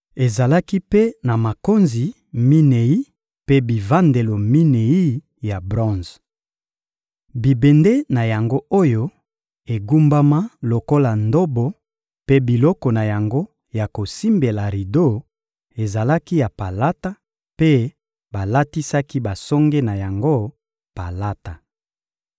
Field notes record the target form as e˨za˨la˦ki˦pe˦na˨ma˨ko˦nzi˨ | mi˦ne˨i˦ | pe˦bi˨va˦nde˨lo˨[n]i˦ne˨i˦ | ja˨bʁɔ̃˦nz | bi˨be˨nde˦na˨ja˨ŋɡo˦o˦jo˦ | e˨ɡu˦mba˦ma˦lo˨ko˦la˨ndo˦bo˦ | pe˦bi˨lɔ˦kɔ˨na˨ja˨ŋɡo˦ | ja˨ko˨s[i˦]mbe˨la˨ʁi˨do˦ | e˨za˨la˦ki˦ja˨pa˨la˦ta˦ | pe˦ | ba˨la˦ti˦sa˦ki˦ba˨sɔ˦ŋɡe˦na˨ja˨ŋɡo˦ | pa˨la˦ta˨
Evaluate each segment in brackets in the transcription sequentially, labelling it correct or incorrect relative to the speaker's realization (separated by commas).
incorrect, correct